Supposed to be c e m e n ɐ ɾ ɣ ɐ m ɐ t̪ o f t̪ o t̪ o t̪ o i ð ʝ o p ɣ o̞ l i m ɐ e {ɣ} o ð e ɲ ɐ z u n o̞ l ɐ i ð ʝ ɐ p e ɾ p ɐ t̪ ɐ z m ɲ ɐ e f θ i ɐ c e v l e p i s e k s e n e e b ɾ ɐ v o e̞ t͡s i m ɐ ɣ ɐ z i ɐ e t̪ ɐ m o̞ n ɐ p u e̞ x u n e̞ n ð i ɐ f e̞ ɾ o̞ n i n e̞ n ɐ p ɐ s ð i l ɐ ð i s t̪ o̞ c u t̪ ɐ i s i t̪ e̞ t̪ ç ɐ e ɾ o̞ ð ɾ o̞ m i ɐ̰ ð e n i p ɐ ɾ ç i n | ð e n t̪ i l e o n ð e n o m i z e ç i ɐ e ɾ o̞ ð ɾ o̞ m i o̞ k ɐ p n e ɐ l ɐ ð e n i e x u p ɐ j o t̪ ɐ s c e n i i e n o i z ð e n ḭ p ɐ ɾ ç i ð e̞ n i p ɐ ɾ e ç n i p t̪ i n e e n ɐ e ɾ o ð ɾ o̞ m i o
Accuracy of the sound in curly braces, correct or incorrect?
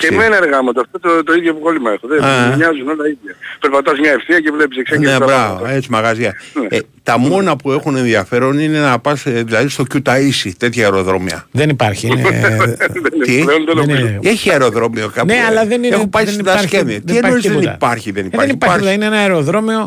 incorrect